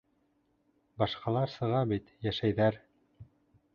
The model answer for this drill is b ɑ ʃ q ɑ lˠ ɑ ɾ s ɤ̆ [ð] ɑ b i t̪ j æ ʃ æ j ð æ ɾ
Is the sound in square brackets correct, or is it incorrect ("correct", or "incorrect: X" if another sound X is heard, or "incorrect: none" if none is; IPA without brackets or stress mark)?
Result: incorrect: ʁ